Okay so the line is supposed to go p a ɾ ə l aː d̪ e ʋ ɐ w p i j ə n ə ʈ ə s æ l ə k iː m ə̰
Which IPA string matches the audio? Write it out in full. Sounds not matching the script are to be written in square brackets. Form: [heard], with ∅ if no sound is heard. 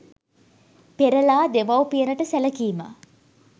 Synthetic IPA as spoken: p [e] ɾ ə l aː d̪ e ʋ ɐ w p i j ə n ə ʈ ə s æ l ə k iː m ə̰